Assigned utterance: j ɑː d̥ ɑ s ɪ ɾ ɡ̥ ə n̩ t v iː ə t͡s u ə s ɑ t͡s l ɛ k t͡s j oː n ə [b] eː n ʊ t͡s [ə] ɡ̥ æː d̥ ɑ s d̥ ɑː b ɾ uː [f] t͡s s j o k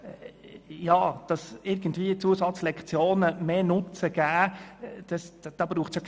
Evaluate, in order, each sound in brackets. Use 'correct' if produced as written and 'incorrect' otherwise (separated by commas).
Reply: incorrect, correct, incorrect